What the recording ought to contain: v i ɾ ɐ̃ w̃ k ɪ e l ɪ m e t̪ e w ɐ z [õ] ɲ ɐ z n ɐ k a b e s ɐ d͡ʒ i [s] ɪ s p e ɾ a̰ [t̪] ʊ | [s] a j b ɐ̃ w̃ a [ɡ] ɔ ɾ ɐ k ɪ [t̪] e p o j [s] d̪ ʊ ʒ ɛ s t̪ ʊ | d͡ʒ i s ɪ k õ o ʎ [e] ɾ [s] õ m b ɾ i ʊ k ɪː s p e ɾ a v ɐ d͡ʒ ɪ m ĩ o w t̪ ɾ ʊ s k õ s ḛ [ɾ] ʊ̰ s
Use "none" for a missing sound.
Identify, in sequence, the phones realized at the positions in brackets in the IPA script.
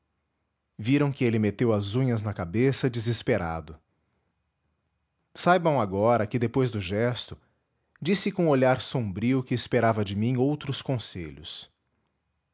ũ, z, d̪, s, ɡ, d̪, z, a, s, ʎ

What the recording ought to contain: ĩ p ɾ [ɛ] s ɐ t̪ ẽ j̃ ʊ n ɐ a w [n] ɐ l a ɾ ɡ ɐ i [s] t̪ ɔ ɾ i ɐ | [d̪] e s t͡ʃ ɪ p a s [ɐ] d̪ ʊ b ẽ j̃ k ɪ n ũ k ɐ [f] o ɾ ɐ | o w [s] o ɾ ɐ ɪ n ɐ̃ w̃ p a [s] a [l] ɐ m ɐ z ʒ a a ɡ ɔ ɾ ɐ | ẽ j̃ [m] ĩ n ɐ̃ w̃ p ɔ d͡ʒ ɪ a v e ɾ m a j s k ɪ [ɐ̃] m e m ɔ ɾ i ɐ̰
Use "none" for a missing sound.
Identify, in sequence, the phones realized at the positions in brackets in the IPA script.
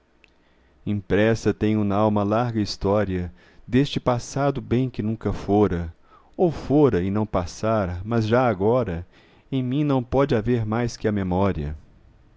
ɛ, m, s, d̪, a, f, f, s, ɾ, m, ɐ

